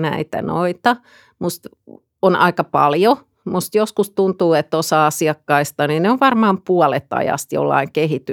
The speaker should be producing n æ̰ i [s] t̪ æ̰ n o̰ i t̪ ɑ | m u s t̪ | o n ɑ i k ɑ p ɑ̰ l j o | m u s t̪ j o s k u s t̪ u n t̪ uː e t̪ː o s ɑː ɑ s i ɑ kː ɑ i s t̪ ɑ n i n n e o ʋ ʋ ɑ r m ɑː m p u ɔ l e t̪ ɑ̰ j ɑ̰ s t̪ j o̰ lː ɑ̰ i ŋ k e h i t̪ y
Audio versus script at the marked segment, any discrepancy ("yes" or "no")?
yes